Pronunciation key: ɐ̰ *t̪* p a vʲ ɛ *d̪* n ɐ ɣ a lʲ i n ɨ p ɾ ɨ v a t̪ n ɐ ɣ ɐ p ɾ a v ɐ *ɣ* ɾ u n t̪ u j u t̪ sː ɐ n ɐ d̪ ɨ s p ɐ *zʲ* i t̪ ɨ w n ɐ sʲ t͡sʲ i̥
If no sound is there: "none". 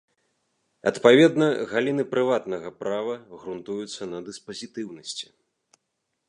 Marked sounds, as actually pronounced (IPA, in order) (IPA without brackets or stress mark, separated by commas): t̪, d̪, ɣ, zʲ